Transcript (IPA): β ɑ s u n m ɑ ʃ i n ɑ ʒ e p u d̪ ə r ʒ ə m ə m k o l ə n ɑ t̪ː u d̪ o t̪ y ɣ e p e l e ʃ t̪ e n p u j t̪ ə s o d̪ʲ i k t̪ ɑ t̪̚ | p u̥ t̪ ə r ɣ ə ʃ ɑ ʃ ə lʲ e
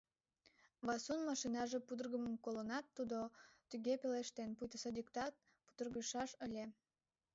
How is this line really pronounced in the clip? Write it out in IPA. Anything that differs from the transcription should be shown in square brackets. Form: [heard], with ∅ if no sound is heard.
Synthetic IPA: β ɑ s u n m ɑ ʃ i n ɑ ʒ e p u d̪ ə r [ɣ] ə m ə m k o l ə n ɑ t̪ː u d̪ o t̪ y ɣ e p e l e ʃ t̪ e n p u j t̪ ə s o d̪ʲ i k t̪ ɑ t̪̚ | p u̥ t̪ ə r ɣ ə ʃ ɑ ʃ ə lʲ e

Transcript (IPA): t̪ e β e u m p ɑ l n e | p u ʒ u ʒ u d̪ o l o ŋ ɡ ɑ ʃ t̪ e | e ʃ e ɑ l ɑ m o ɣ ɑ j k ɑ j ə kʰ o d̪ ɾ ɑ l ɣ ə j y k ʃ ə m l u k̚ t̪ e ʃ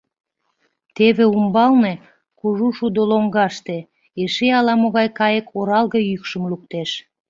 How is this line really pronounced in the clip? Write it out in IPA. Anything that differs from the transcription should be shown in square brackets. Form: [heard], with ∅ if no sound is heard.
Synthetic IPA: t̪ e β e u m [b] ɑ l n e | [k] u ʒ u [ʃ] u d̪ o l o ŋ ɡ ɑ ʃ t̪ e | e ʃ e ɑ l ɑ m o ɣ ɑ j k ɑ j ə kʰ o [∅] ɾ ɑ l ɣ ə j y k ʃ ə m l u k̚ t̪ e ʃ

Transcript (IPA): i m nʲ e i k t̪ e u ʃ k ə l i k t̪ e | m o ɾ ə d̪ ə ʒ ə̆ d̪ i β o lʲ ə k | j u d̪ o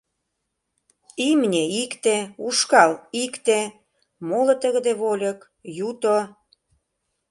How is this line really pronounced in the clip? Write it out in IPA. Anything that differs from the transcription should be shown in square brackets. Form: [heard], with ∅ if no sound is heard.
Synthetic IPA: i m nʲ e i k t̪ e u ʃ k [ɑ] l i k t̪ e | m o [l] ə [t̪] ə [ɣ] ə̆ d̪ [e] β o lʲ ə k | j u [t̪] o

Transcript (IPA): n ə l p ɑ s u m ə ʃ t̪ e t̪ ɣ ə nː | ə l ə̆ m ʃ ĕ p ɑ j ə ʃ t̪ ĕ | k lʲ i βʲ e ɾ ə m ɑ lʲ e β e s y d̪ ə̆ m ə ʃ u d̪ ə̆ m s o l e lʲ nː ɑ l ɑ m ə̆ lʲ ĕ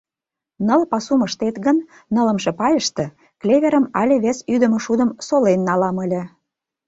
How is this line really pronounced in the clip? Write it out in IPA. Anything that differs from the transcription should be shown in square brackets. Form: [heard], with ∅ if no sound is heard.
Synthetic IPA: n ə l p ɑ s u m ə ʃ t̪ e t̪ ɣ ə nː | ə l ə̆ m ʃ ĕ p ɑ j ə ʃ t̪ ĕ | k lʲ [e] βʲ e ɾ ə m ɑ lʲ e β e s y d̪ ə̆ m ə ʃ u d̪ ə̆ m s o l e [∅] nː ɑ l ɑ m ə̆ lʲ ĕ

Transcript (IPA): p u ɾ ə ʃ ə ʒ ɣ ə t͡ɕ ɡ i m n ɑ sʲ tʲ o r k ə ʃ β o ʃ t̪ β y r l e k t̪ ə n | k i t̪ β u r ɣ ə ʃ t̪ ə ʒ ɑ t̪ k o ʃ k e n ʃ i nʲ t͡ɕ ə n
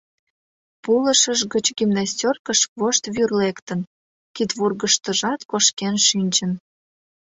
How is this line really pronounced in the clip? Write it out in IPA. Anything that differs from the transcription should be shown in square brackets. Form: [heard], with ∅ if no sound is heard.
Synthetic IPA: p u [l] ə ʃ ə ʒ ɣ ə t͡ɕ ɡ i m n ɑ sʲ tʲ o r k ə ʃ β o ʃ t̪ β y r l e k t̪ ə n | k i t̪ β u r ɣ ə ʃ t̪ ə ʒ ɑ t̪ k o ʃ k e n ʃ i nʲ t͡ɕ ə n

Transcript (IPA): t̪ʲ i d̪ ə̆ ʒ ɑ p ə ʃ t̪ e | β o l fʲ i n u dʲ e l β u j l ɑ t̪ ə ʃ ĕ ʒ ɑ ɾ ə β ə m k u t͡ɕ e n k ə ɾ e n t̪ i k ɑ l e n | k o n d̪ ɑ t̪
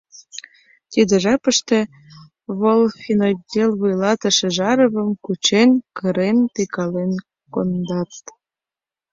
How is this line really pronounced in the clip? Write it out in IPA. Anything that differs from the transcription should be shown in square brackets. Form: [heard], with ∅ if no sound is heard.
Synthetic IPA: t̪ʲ i d̪ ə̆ ʒ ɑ p ə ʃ t̪ e | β o l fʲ i n [o] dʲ e l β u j l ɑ t̪ ə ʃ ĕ ʒ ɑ ɾ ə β ə m k u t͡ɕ e n k ə ɾ e n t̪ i k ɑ l e n | k o n d̪ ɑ t̪

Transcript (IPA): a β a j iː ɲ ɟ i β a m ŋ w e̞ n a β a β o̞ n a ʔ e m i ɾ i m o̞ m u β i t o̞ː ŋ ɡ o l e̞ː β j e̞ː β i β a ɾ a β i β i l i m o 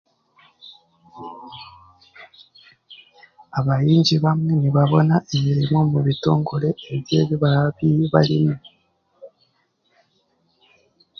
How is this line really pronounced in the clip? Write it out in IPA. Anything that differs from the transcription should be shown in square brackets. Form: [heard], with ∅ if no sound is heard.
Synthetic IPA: a β a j iː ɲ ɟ i β a m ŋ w e̞ n [i] β a β o̞ n a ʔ e m i ɾ i m o̞ m u β i t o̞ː ŋ ɡ o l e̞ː β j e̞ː β i β a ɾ a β i β [a] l i m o

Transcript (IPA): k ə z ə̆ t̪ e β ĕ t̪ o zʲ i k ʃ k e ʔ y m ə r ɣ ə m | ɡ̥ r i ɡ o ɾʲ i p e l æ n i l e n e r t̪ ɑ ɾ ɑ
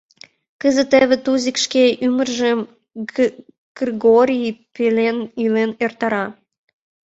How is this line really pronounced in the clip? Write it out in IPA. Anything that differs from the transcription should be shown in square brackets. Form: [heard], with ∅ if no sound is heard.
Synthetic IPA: k ə z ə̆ t̪ e β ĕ t̪ [u] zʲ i k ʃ k e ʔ y m ə r [ʒ] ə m | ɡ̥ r i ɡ o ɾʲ i p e l [e] n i l e n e r t̪ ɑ ɾ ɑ

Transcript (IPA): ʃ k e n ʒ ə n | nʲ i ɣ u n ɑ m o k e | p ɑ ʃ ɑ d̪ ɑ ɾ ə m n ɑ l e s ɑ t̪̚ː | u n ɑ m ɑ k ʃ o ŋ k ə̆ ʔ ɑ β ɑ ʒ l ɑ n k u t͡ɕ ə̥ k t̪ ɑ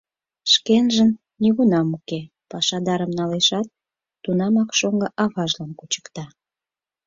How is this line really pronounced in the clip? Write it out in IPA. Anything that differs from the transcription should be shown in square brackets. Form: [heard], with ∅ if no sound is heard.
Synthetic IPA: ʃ k e n ʒ ə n | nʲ i ɣ u n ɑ m [u] k e | p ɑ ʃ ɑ d̪ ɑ ɾ ə m n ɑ l e [ʃ] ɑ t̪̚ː | u n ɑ m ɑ k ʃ o ŋ [ɡ] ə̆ ʔ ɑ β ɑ ʒ l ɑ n k u t͡ɕ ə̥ k t̪ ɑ

